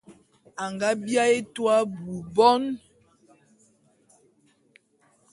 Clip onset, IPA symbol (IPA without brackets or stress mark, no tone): a